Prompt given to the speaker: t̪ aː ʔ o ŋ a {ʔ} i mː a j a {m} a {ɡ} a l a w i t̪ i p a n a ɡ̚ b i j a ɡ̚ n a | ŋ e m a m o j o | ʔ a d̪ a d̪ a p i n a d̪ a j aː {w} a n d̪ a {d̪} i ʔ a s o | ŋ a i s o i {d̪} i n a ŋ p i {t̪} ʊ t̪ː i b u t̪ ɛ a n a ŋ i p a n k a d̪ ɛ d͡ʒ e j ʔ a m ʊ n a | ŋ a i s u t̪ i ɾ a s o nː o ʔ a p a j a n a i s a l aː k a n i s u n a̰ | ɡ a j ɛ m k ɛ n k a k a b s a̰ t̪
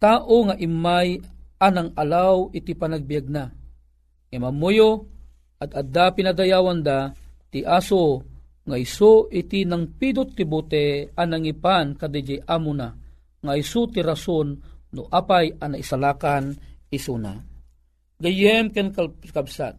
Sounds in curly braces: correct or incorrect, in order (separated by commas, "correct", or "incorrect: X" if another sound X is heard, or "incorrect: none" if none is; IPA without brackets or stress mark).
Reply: correct, incorrect: n, incorrect: ŋ, correct, incorrect: t̪, incorrect: t̪, incorrect: d̪